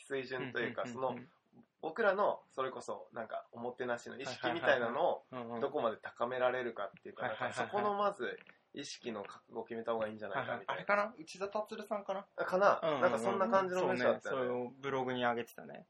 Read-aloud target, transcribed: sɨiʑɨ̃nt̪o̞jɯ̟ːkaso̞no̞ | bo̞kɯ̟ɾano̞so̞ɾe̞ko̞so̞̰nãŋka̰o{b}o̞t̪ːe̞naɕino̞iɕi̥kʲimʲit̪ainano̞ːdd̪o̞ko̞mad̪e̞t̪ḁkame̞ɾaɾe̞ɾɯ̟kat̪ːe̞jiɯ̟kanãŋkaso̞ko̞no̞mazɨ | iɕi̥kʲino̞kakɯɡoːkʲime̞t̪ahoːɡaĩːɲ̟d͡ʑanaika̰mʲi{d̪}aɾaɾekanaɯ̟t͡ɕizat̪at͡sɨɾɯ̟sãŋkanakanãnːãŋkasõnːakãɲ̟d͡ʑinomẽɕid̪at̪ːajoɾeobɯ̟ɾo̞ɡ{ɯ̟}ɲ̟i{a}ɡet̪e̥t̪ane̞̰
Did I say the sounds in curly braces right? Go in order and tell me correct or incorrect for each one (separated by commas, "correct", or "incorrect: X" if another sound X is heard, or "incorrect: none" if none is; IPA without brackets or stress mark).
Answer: incorrect: m, incorrect: t̪, correct, correct